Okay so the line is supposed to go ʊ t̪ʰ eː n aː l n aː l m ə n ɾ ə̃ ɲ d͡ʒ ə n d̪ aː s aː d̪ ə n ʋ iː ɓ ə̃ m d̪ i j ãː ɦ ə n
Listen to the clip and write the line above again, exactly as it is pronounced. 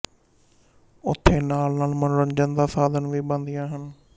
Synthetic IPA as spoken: ʊ t̪ʰ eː n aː l n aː l m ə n ɾ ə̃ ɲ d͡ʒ ə n d̪ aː s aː d̪ ə n ʋ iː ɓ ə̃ n d̪ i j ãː ɦ ə n